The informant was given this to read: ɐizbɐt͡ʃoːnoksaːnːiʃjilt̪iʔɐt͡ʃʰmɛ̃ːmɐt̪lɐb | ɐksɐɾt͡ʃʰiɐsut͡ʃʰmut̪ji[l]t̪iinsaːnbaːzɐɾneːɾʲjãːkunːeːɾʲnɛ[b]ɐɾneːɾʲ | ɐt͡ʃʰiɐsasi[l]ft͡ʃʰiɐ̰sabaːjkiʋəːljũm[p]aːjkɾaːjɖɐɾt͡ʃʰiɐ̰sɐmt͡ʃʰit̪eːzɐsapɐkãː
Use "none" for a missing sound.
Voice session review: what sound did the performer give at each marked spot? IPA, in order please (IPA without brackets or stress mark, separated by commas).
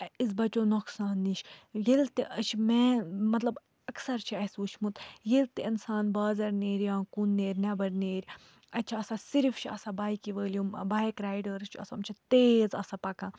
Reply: l, b, ɾ, b